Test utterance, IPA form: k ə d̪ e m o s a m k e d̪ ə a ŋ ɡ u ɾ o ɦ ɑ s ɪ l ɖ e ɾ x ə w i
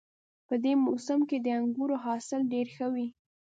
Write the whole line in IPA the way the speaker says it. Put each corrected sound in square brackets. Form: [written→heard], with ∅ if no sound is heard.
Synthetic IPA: [k→p] ə d̪ e m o s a m k e d̪ ə a ŋ ɡ u ɾ o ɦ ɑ s ɪ l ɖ e ɾ x ə w i